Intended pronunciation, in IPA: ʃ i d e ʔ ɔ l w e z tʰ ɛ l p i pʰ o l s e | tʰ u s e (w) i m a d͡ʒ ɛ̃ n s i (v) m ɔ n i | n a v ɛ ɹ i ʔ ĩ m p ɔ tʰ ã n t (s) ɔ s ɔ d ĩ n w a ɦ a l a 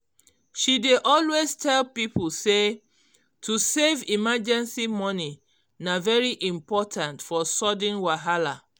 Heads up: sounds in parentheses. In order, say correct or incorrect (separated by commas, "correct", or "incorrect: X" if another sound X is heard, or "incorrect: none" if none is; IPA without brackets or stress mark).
incorrect: v, incorrect: none, incorrect: f